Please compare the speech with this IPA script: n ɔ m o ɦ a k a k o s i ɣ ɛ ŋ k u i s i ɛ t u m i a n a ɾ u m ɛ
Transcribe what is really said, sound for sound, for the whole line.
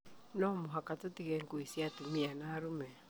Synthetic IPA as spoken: n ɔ m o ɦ a k a t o t i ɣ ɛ ŋ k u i s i a t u m i a n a ɾ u m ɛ